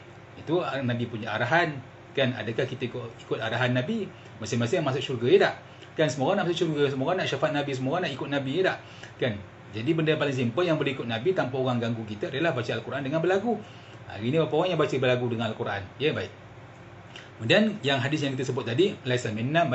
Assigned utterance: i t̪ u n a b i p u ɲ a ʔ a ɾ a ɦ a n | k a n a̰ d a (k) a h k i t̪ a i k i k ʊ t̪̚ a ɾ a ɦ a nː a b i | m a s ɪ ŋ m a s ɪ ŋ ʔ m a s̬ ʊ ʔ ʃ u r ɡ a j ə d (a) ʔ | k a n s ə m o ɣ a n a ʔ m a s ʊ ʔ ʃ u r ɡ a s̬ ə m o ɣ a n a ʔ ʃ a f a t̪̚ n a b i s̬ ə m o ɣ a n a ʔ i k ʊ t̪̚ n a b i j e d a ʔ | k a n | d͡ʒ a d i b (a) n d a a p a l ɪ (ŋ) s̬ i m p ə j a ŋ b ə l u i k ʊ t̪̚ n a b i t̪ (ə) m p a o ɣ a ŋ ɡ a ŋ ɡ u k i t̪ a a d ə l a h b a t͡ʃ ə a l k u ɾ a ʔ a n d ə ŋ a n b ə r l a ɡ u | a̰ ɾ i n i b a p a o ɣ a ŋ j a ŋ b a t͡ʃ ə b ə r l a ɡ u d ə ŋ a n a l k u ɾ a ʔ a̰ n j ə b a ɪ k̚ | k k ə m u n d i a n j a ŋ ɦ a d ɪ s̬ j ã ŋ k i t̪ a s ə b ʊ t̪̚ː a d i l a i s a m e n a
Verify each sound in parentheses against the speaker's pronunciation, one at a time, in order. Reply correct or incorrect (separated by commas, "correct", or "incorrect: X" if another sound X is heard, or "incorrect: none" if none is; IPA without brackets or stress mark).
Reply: correct, correct, incorrect: ə, correct, incorrect: a